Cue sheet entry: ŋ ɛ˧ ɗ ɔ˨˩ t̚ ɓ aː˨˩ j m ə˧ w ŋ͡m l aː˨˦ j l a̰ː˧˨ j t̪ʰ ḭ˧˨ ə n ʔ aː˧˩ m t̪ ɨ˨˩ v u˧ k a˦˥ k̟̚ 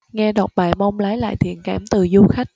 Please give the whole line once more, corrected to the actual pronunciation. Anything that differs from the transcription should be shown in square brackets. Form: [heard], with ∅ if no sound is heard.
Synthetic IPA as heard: ŋ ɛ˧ ɗ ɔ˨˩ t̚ ɓ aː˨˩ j m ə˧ w ŋ͡m l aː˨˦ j l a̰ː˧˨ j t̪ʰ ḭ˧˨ ə n [k] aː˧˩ m t̪ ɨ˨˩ [z] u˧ [x] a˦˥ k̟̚